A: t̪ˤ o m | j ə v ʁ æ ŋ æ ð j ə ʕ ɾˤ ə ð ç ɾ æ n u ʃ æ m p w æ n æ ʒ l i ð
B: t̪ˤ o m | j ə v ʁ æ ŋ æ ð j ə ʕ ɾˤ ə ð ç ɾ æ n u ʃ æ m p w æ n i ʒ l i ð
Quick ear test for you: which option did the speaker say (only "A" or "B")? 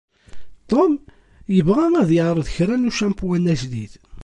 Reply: A